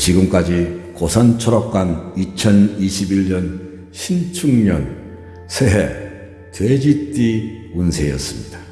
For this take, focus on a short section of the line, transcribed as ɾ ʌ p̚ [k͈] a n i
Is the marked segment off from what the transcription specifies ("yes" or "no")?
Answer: no